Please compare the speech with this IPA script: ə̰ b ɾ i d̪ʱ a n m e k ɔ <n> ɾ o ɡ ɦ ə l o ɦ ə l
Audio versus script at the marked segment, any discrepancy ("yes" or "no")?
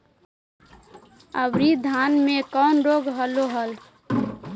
no